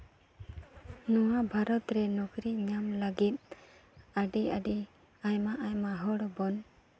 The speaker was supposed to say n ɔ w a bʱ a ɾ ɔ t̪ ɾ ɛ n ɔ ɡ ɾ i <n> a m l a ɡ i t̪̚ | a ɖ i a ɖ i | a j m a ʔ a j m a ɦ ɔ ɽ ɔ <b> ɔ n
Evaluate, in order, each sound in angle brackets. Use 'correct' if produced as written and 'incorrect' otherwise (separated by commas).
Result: incorrect, correct